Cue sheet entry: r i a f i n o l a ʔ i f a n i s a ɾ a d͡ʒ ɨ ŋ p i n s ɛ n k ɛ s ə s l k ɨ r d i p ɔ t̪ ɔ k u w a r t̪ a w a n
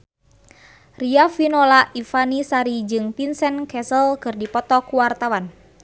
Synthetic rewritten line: r i a f i n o l a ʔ i f a n i s a ɾ i d͡ʒ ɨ ŋ p i n s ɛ n k ɛ s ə l k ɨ r d i p ɔ t̪ ɔ k u w a r t̪ a w a n